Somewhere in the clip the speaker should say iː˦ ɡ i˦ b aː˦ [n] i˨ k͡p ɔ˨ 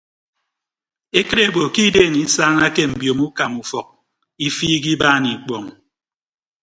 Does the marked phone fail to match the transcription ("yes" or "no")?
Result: no